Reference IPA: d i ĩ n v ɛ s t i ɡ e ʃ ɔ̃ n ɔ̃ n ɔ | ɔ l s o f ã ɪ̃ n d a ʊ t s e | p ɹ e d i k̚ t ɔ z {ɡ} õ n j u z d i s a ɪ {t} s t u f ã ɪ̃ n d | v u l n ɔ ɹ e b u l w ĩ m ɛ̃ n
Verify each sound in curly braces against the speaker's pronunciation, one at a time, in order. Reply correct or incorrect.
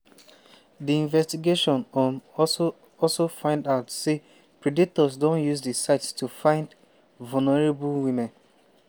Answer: incorrect: d, correct

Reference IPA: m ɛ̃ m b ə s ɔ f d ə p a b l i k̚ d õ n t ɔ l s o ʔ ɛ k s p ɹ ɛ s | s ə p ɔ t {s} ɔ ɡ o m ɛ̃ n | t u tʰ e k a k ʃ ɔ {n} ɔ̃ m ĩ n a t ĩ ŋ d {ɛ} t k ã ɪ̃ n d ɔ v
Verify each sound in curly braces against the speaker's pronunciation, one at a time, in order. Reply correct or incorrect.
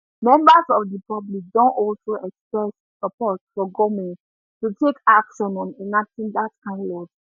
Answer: incorrect: f, correct, incorrect: a

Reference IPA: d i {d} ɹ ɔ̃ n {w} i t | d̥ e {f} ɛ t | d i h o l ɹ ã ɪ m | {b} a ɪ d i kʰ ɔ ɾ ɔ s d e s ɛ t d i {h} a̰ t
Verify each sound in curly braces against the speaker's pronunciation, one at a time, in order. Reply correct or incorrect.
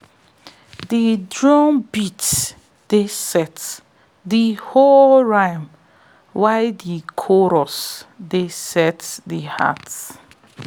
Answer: correct, incorrect: b, incorrect: s, incorrect: w, correct

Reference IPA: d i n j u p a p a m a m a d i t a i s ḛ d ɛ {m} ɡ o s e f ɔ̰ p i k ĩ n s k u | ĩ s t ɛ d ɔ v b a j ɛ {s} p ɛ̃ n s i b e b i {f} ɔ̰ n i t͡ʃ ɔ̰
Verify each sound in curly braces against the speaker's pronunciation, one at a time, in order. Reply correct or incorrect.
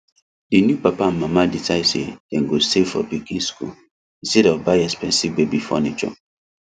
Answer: incorrect: ŋ, correct, correct

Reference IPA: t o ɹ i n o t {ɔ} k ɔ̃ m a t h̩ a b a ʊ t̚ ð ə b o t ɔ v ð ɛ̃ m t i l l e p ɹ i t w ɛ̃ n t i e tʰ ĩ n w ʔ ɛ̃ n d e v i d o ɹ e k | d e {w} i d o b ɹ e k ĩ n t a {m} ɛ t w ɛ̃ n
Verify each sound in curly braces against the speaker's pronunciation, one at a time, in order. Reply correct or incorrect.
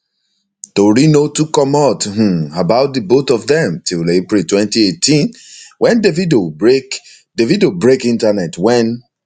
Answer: incorrect: u, incorrect: v, incorrect: n

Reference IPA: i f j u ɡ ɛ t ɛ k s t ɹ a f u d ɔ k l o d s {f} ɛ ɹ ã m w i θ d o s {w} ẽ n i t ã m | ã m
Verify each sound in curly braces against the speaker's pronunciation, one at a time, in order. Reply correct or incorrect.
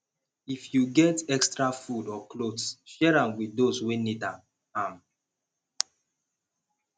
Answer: incorrect: ʃ, correct

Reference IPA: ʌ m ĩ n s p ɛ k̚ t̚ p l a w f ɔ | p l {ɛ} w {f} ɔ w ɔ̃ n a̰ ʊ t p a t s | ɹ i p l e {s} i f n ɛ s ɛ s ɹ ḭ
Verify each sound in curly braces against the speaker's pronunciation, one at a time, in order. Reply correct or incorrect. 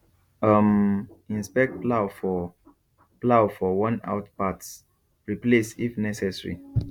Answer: incorrect: a, correct, correct

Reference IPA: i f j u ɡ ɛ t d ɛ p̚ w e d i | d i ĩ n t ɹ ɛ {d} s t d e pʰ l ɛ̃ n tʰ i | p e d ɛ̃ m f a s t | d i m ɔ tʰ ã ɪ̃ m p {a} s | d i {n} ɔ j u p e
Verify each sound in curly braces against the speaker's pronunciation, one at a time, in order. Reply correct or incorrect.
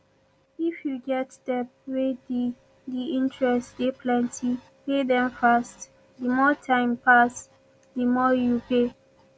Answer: incorrect: none, correct, incorrect: m

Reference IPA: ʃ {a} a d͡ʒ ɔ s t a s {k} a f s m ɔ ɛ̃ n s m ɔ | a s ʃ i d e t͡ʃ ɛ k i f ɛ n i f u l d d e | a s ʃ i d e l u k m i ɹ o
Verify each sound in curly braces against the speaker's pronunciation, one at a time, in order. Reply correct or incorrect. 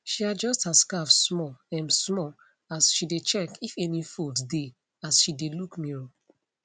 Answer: incorrect: i, correct

